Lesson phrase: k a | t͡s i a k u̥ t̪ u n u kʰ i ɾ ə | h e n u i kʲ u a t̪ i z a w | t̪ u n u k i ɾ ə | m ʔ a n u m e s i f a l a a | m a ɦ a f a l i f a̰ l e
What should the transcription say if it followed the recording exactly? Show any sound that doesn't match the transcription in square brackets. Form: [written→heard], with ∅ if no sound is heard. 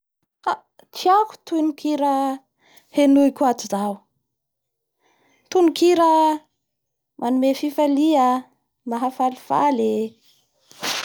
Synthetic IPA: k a | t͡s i a k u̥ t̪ u n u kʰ i ɾ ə | h e n u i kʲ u a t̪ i z a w | t̪ u n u k i ɾ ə | m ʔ a n u m e [s→f] i f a l [a→i] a | m a ɦ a f a l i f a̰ l e